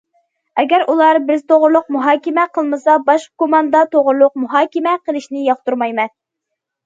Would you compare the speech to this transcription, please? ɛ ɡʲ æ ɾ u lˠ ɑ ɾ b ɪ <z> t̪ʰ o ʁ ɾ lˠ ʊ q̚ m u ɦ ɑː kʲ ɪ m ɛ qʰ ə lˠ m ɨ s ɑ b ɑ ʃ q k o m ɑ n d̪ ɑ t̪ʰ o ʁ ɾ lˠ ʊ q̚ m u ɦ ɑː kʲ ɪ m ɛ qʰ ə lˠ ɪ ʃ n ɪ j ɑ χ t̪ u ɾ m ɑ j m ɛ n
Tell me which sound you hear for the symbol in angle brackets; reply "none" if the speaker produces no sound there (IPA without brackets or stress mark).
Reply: z